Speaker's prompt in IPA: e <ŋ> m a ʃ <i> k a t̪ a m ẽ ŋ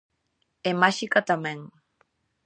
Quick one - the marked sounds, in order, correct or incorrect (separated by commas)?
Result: incorrect, correct